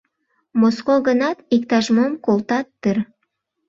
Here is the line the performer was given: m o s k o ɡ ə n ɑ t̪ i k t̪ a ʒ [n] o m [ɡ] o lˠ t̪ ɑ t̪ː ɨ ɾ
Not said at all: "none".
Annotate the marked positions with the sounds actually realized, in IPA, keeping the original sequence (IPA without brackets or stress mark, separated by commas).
m, k